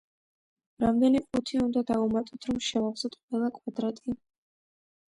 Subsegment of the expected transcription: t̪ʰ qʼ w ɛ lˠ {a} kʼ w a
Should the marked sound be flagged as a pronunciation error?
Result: no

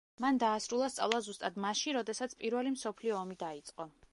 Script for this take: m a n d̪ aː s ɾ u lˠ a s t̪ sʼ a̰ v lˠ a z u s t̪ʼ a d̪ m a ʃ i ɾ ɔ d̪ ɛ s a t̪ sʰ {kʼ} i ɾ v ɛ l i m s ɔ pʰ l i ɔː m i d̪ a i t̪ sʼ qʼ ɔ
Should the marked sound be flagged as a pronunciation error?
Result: yes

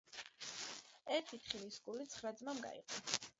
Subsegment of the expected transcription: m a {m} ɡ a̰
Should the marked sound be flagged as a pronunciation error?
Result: no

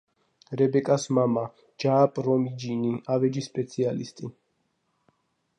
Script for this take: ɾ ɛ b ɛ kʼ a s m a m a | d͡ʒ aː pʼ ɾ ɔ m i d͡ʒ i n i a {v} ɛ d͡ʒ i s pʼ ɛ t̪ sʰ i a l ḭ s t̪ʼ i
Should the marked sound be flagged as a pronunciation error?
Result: no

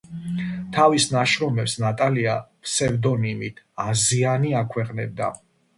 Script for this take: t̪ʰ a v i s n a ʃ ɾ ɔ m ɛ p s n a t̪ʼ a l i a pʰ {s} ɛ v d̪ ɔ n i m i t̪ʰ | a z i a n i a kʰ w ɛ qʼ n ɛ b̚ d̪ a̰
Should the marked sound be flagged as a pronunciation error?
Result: no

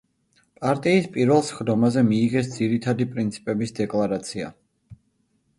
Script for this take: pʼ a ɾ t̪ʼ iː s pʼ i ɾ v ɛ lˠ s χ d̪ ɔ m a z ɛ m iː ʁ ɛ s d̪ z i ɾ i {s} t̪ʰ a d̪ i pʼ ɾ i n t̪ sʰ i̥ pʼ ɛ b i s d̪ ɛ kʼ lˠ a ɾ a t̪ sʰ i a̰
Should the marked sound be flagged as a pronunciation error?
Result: yes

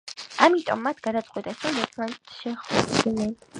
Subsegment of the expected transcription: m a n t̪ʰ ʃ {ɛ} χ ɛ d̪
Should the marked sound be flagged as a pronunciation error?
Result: no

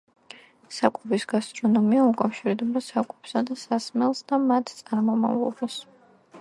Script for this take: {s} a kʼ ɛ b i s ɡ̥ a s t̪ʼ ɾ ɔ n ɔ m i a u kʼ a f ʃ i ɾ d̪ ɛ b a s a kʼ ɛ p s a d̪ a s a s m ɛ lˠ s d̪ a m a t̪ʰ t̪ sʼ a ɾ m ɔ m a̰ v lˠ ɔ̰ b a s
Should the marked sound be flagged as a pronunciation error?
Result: no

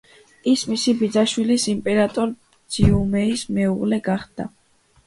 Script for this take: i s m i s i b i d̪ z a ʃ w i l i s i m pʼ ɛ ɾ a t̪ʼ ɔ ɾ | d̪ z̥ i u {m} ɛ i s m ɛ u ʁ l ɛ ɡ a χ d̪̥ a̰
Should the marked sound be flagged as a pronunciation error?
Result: no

